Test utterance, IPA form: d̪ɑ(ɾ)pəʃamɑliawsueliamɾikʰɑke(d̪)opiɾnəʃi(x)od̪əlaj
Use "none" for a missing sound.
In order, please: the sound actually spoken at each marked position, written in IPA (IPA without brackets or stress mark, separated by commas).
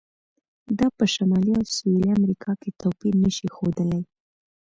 none, t̪, x